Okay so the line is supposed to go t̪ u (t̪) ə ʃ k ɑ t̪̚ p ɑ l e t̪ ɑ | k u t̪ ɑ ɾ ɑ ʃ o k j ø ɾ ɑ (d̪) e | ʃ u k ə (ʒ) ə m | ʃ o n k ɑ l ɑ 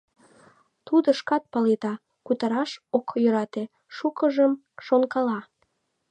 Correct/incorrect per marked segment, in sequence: incorrect, incorrect, correct

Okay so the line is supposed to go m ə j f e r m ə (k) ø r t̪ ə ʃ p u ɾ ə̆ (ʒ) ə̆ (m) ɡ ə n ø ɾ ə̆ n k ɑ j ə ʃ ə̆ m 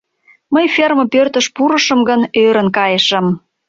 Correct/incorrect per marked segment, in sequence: incorrect, incorrect, correct

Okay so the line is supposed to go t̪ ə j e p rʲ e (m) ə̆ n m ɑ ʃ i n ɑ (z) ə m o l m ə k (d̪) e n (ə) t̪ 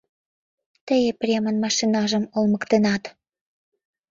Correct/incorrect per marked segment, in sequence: correct, incorrect, incorrect, incorrect

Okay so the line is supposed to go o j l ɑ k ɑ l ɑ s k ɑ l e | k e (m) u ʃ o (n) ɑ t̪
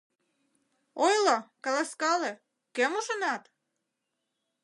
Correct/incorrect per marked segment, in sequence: correct, correct

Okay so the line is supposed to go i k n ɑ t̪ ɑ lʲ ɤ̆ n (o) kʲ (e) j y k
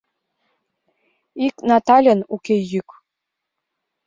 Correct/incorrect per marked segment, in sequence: incorrect, correct

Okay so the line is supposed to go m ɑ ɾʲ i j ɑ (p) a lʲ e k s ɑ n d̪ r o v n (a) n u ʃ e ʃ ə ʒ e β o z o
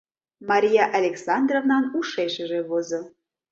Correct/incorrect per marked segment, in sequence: incorrect, incorrect

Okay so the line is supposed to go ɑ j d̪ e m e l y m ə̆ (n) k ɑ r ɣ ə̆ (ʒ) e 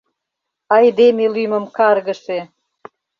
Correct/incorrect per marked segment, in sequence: incorrect, incorrect

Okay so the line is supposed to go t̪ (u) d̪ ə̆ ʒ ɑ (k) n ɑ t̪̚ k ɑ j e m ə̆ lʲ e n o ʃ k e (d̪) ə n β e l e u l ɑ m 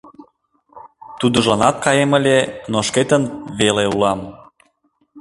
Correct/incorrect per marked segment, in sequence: correct, incorrect, incorrect

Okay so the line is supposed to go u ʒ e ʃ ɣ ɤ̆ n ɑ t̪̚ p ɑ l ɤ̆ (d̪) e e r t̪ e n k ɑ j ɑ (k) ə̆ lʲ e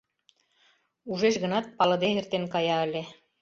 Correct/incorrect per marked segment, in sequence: correct, incorrect

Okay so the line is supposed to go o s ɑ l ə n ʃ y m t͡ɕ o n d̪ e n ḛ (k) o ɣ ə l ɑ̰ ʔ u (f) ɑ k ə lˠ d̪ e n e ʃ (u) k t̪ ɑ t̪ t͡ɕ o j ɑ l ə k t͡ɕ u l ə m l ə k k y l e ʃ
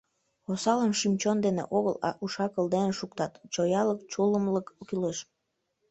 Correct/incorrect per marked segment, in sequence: incorrect, incorrect, correct

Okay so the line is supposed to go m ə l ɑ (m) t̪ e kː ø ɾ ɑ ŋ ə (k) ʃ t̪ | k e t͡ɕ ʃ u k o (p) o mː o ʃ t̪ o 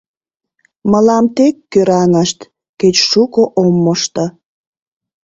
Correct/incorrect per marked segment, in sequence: correct, incorrect, incorrect

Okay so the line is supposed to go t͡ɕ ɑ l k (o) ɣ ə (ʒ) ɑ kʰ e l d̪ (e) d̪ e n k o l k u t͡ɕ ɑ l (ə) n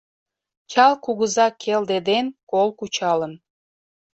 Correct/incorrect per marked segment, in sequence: incorrect, incorrect, correct, correct

